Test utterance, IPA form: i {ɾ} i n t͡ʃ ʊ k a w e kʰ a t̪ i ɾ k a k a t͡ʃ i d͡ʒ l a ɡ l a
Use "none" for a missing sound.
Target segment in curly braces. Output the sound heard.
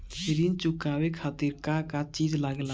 ɾ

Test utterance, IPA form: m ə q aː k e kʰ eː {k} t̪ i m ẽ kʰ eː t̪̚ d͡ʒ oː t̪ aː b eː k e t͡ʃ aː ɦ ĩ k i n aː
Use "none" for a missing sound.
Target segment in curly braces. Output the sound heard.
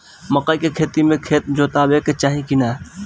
none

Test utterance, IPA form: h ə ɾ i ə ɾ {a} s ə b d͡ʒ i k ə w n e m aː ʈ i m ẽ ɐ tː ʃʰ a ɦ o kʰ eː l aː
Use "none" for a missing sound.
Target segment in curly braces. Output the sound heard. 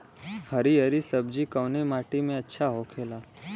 i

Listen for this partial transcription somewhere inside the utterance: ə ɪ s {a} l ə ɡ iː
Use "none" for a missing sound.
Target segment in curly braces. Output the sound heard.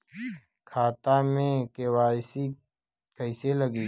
e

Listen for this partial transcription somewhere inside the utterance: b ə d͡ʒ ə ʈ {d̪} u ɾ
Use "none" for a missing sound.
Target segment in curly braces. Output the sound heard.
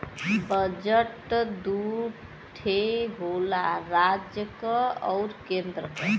d̪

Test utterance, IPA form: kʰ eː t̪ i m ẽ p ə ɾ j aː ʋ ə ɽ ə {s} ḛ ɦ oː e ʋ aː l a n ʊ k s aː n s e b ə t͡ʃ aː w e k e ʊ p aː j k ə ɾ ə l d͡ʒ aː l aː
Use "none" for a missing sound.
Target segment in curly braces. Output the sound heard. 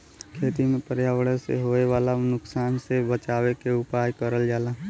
s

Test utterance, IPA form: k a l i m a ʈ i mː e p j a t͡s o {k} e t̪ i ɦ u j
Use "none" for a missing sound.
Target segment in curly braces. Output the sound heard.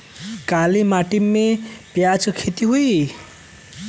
kʰ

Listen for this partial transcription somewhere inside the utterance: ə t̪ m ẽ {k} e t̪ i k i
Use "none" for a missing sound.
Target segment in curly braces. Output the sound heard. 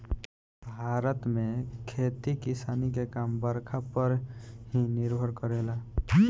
kʰ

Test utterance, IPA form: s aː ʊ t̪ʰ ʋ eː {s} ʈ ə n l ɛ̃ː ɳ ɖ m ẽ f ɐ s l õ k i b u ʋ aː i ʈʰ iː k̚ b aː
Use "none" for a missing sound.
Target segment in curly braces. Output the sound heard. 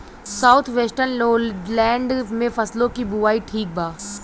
s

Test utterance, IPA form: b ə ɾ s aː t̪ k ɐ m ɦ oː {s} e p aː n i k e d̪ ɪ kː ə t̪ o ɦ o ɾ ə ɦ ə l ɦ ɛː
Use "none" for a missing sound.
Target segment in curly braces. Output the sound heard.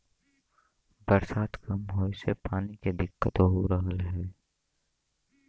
s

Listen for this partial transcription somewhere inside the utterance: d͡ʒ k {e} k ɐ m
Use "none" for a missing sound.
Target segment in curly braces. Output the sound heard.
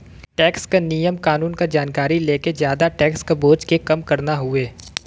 e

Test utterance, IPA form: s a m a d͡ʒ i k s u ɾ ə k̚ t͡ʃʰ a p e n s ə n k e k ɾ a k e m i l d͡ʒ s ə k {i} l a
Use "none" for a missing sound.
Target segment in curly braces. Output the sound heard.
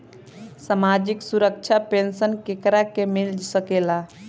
e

